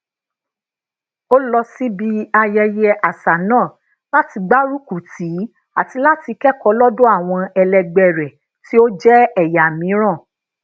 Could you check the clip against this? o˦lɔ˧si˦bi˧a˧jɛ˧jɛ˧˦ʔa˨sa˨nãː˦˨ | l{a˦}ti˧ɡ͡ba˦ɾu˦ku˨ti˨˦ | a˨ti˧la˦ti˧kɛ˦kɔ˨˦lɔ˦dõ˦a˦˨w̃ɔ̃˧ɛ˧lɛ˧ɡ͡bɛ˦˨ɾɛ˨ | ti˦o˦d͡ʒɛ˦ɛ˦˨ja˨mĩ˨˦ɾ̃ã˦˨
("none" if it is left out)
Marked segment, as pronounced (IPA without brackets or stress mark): a˦